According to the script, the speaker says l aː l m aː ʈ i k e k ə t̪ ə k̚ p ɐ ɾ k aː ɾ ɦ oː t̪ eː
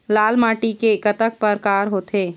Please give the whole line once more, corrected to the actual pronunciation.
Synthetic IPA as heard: l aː l m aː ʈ i k e k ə t̪ ə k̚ p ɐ ɾ k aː ɾ ɦ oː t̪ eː